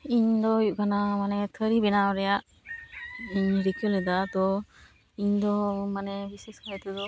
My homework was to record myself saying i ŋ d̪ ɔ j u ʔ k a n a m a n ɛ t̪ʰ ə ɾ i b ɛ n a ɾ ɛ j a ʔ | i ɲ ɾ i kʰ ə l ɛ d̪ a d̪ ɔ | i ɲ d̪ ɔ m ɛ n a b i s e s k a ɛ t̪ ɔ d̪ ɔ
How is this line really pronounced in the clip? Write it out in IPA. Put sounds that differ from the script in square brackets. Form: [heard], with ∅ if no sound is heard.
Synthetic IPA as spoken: i [ɲ] d̪ ɔ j u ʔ k a n a m a n ɛ t̪ʰ ə ɾ i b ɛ n a ɾ ɛ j a ʔ | i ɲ ɾ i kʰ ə l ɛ d̪ a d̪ ɔ | i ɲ d̪ ɔ m [a] n [ɛ] b i s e s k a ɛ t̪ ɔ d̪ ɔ